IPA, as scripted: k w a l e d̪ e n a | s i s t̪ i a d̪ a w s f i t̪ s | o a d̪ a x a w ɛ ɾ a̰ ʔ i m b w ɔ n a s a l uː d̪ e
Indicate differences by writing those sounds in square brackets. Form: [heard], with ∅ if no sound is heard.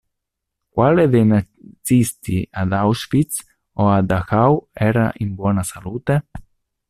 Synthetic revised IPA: k w a l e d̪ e n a | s i s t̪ i a d̪ a w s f i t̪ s | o a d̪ a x a w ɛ ɾ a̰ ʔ i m b w ɔ n a s a l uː [t̪] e